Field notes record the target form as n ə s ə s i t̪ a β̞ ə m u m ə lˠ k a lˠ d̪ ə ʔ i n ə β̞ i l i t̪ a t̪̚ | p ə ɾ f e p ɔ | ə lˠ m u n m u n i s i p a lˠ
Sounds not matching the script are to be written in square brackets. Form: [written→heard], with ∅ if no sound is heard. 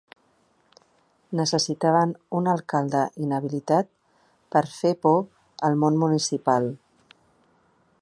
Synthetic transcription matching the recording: n ə s ə s i t̪ a β̞ ə [m→n] u [m→n] ə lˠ k a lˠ d̪ ə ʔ i n ə β̞ i l i t̪ a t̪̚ | p ə ɾ f e p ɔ | ə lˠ m [u→o] n m u n i s i p a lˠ